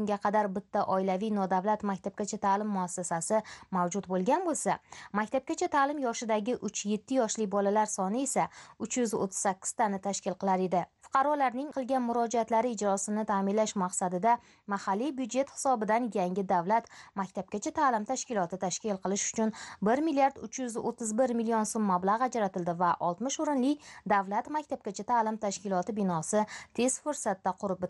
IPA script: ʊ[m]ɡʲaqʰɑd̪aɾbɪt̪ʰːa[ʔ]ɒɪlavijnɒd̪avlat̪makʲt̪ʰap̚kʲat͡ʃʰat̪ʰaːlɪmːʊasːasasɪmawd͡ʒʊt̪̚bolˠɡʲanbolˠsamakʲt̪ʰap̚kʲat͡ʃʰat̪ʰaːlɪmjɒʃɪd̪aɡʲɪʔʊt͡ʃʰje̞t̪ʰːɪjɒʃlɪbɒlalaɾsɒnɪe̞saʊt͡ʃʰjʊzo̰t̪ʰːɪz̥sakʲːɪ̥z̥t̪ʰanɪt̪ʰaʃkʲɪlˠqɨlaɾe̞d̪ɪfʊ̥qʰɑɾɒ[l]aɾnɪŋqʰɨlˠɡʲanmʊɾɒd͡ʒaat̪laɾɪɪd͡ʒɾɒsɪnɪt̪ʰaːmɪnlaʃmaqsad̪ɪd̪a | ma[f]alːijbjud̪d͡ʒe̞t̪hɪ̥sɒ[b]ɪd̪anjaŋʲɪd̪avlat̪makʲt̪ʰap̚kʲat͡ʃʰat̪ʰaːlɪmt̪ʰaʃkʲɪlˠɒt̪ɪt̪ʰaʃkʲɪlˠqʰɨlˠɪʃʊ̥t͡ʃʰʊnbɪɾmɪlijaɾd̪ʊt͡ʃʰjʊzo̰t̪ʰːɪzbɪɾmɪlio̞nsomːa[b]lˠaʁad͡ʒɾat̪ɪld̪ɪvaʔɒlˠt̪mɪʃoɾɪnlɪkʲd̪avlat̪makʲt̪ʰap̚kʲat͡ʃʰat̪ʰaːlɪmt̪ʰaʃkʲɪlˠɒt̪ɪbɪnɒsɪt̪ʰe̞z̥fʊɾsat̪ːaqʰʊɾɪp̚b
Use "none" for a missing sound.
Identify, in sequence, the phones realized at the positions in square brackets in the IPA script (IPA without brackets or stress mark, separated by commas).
ŋ, ʔ, l, h, b, b